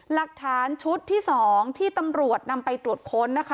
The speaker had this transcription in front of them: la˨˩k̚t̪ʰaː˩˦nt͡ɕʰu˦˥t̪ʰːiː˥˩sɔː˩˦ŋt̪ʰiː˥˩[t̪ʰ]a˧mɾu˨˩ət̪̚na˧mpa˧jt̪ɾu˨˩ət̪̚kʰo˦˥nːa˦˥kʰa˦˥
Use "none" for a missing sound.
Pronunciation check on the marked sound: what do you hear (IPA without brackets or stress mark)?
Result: t̪